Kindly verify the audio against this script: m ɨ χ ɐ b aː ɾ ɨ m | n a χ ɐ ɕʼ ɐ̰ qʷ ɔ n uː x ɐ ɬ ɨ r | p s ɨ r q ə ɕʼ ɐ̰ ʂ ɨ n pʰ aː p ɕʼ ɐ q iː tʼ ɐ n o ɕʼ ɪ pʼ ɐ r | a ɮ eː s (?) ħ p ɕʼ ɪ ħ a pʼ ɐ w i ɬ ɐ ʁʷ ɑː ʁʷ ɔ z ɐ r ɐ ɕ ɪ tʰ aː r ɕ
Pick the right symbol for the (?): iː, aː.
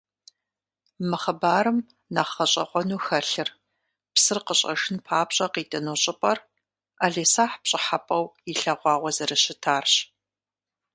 aː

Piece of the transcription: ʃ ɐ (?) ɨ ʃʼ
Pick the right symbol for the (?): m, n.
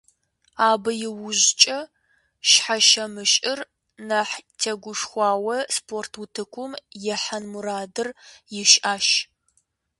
m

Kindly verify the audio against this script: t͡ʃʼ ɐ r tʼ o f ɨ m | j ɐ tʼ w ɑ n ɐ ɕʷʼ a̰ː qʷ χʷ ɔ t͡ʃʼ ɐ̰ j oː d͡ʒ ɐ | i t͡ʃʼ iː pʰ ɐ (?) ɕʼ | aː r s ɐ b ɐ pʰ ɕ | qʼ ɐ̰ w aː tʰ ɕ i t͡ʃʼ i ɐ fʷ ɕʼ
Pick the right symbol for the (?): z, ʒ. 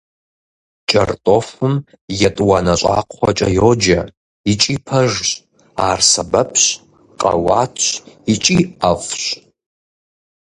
ʒ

